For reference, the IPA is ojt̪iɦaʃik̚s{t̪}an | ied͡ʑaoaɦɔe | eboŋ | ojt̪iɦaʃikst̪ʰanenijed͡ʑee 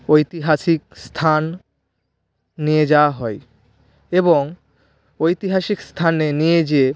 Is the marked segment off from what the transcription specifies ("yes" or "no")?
yes